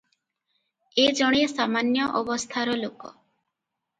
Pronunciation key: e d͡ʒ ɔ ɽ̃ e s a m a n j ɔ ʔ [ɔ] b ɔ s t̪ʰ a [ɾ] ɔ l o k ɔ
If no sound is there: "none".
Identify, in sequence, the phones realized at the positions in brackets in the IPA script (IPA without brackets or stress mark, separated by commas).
ɔ, ɾ